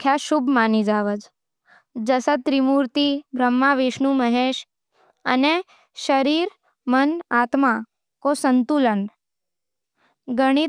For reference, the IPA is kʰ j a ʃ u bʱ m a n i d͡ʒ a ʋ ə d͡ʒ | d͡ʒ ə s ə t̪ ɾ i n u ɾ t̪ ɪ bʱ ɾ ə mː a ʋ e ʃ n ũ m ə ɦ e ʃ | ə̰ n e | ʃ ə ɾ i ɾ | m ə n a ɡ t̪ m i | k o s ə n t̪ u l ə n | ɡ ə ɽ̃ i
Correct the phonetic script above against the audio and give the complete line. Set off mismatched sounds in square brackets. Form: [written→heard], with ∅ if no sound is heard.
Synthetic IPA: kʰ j a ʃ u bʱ m a n i d͡ʒ a ʋ ə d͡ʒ | d͡ʒ ə s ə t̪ ɾ i [n→m] u ɾ t̪ [ɪ→i] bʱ ɾ ə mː a ʋ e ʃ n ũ m ə ɦ e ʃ | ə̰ n e | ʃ ə ɾ i ɾ | m ə n a [ɡ→∅] t̪ m [i→a] | k o s ə n t̪ u l ə n | ɡ ə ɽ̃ i